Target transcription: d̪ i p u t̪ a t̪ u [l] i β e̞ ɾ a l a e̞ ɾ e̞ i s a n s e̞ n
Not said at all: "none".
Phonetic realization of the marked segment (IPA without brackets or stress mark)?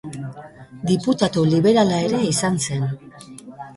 l